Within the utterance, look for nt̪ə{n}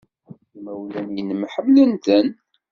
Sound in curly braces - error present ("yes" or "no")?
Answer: no